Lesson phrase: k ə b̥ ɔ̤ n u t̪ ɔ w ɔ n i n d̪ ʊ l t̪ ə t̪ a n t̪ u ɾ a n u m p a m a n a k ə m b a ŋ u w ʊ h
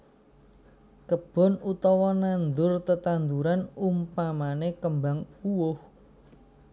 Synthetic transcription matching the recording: k ə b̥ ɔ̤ n u t̪ ɔ w ɔ n a n d̪ ʊ r t̪ ə t̪ a n d̪ u ɾ a n u m p a m a n e k ə m b a ŋ u w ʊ h